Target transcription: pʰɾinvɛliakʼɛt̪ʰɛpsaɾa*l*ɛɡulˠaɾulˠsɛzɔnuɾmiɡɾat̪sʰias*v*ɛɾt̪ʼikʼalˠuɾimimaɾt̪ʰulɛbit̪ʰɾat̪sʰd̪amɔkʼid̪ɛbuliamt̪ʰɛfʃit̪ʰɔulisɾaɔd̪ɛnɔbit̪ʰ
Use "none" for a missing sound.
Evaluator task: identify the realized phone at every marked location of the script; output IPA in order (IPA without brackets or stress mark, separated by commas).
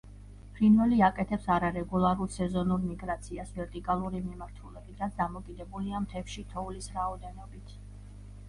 ɾ, v